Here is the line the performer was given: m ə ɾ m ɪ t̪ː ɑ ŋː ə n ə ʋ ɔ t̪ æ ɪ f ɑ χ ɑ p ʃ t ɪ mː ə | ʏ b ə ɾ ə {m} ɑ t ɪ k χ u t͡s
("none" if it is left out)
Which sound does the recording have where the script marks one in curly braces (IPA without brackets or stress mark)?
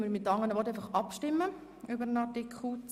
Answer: n